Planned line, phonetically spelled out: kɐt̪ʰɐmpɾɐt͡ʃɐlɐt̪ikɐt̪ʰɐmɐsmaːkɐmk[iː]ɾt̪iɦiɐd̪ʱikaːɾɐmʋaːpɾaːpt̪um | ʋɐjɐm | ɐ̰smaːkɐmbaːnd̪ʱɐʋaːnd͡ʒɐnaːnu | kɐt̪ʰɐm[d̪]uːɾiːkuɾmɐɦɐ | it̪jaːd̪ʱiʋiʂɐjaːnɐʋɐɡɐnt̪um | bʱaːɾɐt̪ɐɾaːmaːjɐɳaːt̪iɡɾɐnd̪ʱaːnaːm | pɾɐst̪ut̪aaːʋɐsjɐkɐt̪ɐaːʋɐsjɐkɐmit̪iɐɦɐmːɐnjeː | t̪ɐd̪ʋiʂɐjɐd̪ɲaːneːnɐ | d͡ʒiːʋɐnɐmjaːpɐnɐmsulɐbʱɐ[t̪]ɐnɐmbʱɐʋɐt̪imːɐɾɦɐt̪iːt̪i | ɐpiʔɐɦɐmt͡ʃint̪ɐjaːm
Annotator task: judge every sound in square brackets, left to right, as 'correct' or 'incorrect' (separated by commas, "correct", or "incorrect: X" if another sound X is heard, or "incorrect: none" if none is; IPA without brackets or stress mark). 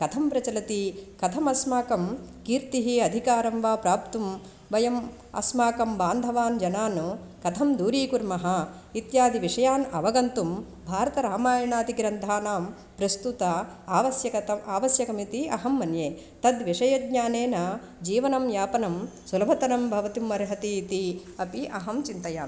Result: correct, correct, correct